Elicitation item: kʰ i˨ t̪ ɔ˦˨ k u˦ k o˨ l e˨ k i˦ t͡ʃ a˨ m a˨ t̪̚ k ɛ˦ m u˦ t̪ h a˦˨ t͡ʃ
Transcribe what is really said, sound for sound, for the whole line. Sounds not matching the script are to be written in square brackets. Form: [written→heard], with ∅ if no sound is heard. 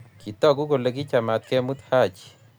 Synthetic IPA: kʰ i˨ t̪ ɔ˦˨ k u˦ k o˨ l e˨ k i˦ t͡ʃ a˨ m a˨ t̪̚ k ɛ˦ m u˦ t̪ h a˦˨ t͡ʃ